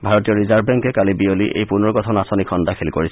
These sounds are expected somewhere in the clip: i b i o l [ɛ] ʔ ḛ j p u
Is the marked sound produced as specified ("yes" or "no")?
no